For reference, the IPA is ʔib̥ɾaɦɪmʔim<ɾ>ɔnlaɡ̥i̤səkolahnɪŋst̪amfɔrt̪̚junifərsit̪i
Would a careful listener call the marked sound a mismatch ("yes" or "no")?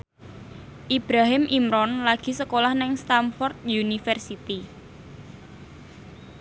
no